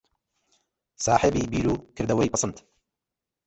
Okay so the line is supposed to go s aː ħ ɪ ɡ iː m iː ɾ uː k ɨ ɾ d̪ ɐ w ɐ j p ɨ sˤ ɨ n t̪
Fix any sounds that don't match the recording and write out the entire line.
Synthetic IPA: s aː ħ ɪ b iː b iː ɾ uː k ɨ ɾ d̪ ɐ w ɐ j p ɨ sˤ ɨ n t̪